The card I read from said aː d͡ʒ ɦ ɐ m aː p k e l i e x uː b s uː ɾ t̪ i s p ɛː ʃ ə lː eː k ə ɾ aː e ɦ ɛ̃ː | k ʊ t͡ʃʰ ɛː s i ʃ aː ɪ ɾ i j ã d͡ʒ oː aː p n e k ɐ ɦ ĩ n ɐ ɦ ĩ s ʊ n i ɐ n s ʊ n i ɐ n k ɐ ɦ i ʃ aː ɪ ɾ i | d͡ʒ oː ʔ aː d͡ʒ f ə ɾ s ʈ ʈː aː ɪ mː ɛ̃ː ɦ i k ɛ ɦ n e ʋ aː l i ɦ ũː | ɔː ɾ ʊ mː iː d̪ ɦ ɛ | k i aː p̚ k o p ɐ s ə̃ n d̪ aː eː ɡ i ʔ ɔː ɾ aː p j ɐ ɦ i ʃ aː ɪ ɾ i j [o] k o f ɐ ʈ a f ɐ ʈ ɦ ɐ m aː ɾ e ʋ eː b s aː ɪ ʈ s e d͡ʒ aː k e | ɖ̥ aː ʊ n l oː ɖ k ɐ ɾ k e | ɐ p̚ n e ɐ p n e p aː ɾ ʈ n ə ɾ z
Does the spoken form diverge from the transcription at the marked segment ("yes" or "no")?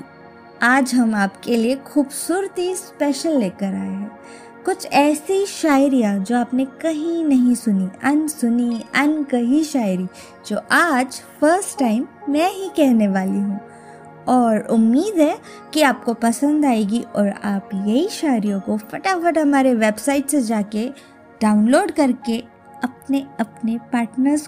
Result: yes